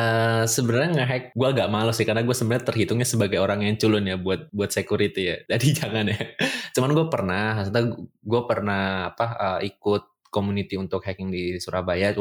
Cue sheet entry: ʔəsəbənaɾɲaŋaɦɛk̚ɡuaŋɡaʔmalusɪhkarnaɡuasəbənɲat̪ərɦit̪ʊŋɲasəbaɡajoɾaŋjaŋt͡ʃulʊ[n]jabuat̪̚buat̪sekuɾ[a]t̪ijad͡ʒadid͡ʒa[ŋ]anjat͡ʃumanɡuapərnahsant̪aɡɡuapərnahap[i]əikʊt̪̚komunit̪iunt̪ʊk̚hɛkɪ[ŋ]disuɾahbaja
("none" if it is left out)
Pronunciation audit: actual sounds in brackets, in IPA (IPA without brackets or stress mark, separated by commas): n, i, ŋ, a, ŋ